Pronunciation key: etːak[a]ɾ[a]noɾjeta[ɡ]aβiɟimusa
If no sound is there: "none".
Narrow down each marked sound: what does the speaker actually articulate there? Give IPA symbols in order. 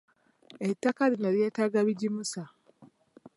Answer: a, i, ɡ

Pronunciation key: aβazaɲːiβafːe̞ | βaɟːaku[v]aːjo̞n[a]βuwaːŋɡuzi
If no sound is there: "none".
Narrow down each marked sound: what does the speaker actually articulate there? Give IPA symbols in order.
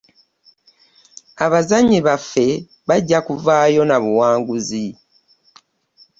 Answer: v, a

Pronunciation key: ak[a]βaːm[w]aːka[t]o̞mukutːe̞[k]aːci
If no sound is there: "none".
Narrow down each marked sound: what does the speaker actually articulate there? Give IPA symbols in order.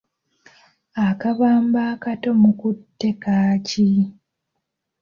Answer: a, b, t, k

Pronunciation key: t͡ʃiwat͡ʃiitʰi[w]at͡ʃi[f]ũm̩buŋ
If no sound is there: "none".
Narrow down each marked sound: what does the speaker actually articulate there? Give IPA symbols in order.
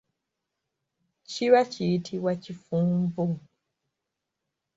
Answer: w, f

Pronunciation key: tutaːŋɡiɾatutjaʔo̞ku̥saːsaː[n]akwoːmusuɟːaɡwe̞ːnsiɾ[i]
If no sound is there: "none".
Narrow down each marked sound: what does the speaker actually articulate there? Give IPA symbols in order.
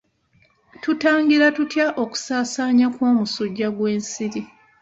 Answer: ɲ, i

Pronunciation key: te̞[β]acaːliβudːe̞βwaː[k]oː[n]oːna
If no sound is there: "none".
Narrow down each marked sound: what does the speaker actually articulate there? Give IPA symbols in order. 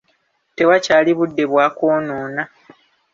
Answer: w, k, n

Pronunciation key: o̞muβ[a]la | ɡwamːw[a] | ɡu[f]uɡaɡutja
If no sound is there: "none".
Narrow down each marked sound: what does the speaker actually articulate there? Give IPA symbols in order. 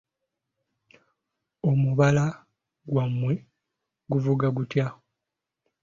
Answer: a, e, v

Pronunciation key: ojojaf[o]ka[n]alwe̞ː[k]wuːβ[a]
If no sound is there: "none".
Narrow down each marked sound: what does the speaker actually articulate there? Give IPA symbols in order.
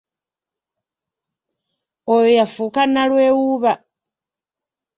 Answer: u, n, none, a

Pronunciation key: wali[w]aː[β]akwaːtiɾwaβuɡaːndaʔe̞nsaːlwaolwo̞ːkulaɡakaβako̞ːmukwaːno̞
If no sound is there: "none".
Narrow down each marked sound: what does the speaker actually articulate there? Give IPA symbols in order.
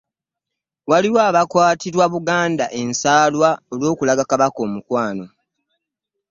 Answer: w, β

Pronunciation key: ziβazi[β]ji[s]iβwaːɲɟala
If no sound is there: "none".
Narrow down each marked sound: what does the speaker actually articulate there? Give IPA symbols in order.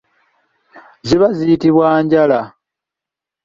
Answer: none, t

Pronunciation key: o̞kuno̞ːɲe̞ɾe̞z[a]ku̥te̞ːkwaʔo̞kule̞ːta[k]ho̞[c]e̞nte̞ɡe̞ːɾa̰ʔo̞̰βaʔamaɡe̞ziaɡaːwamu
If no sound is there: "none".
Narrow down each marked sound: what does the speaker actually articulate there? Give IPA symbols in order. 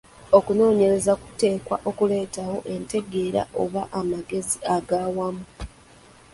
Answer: a, none, ʔ

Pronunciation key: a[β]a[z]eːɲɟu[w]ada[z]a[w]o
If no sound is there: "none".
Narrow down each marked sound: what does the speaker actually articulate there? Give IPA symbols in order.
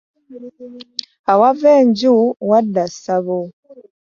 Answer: w, v, w, s, β

